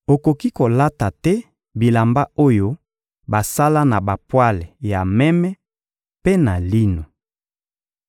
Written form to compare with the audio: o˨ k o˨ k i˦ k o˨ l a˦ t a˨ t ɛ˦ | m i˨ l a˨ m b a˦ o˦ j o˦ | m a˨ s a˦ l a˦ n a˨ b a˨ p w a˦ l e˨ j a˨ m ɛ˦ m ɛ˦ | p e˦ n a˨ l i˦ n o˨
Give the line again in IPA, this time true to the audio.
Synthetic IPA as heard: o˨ k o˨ k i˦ k o˨ l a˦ t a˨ t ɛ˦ | b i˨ l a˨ m b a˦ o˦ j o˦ | b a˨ s a˦ l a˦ n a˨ b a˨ p w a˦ l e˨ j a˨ m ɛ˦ m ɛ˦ | p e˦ n a˨ l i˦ n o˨